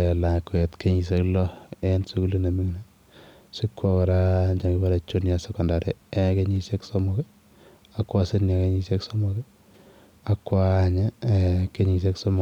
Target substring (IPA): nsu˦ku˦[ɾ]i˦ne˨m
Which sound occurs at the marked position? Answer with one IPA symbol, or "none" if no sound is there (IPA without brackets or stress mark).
l